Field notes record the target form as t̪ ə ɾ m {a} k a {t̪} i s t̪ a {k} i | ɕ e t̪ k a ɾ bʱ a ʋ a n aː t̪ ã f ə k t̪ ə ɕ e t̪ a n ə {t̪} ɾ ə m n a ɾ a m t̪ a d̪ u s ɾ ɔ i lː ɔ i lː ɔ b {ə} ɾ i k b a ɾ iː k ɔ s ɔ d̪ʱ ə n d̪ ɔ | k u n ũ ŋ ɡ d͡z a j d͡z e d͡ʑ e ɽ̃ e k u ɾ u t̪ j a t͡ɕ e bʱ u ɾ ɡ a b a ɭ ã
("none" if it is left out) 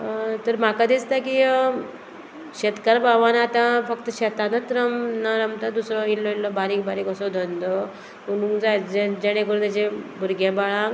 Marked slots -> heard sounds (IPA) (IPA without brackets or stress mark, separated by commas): a, d̪, k, t̪, a